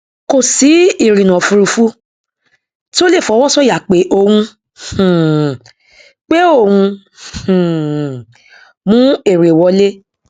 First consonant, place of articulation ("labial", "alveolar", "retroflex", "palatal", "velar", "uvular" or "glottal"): velar